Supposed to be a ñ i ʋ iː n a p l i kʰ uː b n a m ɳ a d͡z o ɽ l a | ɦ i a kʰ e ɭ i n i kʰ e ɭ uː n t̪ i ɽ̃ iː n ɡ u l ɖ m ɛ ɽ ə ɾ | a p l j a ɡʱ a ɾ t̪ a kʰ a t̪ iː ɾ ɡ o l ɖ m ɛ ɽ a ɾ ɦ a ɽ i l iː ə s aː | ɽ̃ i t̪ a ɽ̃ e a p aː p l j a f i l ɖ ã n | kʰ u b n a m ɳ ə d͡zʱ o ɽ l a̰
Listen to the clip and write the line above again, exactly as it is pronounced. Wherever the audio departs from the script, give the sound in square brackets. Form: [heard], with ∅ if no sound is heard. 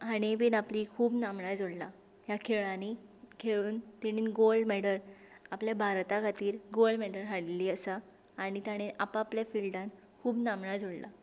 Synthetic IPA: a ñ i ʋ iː n a p l i kʰ uː b n a m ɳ a d͡z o ɽ l a | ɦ [j] a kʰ e ɭ [a] n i kʰ e ɭ uː n t̪ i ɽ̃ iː n ɡ [o] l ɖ m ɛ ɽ ə ɾ | a p l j a [bʱ] a ɾ t̪ a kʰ a t̪ iː ɾ ɡ o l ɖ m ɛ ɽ [ə] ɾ ɦ a ɽ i l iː ə s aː | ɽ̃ i t̪ a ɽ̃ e a p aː p l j a f i l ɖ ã n | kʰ [uː] b n a m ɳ [a] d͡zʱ o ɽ l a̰